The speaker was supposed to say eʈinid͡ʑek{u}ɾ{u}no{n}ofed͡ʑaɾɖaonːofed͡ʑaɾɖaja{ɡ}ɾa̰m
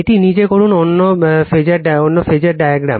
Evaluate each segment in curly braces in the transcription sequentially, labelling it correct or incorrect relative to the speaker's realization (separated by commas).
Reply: incorrect, correct, incorrect, correct